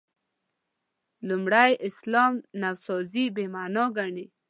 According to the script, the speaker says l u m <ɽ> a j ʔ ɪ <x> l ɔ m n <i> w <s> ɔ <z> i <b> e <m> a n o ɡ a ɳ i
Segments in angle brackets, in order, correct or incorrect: correct, incorrect: s, incorrect: a, correct, correct, correct, correct

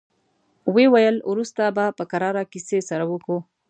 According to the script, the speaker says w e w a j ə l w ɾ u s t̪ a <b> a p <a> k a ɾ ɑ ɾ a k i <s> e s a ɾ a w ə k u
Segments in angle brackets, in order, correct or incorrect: correct, incorrect: ə, correct

